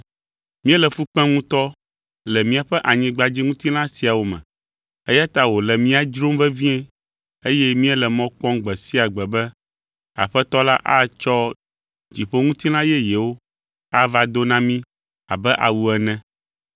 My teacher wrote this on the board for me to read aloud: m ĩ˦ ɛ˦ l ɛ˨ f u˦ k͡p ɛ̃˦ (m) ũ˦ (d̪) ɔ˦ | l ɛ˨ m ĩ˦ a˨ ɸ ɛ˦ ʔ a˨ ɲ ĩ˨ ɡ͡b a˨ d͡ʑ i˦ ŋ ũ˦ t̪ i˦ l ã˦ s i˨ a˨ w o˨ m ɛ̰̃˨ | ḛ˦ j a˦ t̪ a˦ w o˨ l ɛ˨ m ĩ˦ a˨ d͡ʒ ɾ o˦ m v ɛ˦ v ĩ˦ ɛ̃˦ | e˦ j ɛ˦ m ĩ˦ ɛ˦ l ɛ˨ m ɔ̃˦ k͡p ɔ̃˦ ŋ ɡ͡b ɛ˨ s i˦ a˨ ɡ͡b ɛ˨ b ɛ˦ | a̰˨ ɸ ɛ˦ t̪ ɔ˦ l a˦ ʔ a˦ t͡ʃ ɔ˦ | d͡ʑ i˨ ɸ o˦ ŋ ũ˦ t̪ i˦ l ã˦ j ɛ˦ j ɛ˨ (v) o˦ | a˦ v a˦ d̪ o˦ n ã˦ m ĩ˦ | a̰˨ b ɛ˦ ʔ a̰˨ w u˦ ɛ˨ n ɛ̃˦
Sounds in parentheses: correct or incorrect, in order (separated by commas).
incorrect, incorrect, incorrect